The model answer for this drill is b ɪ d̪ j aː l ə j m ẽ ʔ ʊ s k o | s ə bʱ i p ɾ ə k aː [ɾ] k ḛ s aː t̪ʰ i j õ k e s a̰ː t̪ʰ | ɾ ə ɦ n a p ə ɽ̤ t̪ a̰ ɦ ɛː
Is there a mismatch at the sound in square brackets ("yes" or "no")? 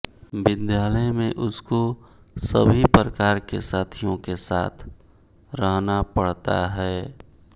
no